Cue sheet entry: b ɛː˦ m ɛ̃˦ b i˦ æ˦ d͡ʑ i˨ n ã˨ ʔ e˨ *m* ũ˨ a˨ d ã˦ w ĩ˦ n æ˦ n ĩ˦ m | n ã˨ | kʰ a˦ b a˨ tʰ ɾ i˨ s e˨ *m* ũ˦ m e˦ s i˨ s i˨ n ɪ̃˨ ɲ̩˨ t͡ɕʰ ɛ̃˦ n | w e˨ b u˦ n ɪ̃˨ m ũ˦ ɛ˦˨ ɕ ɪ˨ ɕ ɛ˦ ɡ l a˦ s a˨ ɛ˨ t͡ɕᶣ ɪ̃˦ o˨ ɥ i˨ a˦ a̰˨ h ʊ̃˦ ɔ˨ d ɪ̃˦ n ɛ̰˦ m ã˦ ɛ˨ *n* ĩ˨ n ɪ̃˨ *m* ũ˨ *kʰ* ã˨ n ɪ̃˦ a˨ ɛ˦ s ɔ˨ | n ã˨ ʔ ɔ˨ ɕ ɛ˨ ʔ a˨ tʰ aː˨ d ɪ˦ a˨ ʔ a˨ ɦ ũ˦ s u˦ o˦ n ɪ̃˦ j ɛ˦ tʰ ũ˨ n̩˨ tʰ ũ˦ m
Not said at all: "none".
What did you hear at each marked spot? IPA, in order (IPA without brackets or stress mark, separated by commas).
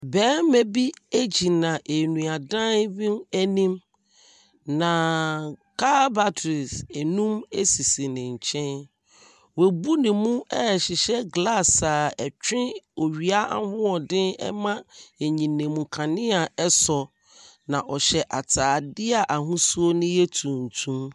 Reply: n, n, ɲ, m, kʰ